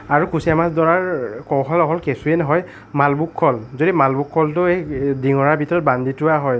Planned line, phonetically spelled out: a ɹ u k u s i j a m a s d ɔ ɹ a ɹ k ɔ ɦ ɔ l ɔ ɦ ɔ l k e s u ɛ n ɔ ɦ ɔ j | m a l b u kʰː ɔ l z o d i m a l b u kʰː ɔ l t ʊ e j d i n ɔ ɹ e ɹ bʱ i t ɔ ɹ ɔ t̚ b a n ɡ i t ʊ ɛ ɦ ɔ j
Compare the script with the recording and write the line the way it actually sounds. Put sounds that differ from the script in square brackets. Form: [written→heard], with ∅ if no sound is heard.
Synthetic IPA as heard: a ɹ u k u s i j a m a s d ɔ ɹ a ɹ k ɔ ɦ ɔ l ɔ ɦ ɔ l k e s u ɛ n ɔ ɦ ɔ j | m a l b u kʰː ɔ l z o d i m a l b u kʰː ɔ l t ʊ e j d i [n→ŋ] ɔ ɹ [e→a] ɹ bʱ i t ɔ ɹ ɔ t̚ b a n [ɡ→d] i t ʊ [ɛ→a] ɦ ɔ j